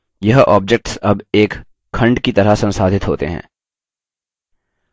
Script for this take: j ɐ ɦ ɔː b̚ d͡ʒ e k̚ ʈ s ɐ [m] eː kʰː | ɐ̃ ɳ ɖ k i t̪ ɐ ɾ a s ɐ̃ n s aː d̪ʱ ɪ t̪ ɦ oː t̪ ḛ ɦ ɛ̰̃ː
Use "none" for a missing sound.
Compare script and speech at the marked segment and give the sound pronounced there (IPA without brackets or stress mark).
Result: b